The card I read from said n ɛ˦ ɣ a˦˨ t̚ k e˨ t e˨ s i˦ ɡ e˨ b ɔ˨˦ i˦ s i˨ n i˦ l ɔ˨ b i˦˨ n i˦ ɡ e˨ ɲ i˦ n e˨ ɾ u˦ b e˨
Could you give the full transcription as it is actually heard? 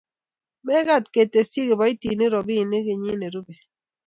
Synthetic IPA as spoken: m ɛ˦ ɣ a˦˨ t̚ k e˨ t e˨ s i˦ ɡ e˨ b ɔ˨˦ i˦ t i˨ n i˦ ɾ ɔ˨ b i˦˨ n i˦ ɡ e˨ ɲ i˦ n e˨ ɾ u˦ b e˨